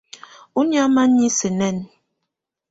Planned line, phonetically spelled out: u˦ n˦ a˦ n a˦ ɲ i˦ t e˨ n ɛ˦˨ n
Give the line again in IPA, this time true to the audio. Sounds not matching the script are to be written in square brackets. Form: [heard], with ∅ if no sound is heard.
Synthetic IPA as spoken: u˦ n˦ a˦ [m] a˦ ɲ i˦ [s] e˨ n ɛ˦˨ n